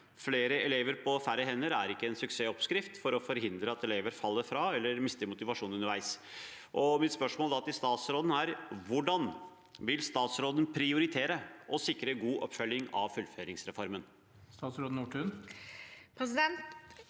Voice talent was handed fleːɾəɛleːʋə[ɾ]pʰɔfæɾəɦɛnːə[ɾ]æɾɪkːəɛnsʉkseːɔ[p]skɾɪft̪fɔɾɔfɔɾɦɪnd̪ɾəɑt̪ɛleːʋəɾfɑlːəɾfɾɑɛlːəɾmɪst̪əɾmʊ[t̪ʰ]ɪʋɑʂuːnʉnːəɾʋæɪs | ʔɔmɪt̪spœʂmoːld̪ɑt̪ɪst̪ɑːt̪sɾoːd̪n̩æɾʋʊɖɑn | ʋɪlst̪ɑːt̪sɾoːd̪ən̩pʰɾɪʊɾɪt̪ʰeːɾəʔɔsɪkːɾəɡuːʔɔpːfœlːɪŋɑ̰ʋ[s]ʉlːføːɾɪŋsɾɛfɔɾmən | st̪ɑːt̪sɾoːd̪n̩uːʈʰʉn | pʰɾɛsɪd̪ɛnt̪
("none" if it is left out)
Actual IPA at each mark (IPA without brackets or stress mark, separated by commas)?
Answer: ɾ, ɾ, p, t̪, f